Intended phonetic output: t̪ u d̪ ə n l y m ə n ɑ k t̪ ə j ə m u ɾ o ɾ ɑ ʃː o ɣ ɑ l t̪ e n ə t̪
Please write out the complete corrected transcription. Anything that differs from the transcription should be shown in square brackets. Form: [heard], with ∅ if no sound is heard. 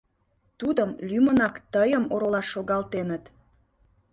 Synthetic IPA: t̪ u d̪ ə [m] l y m ə n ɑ k t̪ ə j ə m [o] ɾ o [l] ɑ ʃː o ɣ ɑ l t̪ e n ə t̪